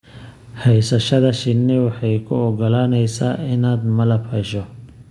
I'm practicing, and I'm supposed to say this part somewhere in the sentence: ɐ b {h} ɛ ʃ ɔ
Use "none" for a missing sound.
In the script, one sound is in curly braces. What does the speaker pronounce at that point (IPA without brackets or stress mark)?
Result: h